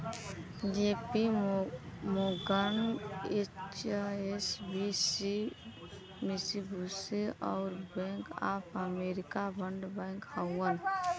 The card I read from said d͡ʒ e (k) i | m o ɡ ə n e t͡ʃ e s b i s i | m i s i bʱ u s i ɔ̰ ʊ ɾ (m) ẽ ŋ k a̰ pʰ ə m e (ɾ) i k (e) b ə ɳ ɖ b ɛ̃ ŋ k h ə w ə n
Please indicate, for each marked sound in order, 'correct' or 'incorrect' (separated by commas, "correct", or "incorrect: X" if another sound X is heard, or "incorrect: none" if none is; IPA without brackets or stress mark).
incorrect: p, incorrect: b, correct, incorrect: a